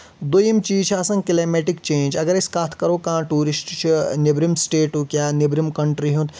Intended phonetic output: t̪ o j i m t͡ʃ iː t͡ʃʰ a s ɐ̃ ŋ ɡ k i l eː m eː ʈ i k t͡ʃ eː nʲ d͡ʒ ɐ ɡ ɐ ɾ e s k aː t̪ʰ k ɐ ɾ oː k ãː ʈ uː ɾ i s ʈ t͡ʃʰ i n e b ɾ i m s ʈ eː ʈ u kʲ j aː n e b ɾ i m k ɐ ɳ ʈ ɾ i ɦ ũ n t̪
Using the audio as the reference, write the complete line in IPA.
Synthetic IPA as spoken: d̪ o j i m t͡ʃ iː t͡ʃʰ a s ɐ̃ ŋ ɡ k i l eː m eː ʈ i k t͡ʃ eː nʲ d͡ʒ ɐ ɡ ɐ ɾ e s k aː t̪ʰ k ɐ ɾ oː k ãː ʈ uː ɾ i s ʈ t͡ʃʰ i n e b ɾ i m s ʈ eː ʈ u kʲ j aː n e b ɾ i m k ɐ ɳ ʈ ɾ i ɦ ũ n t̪